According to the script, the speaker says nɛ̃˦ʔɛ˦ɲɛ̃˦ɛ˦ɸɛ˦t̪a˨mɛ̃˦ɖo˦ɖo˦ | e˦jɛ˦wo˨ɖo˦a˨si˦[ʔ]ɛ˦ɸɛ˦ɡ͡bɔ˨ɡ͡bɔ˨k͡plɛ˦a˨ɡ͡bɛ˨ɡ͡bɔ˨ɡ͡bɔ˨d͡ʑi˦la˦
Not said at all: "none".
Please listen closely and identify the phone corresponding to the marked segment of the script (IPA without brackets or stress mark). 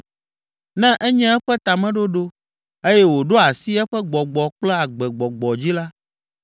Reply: none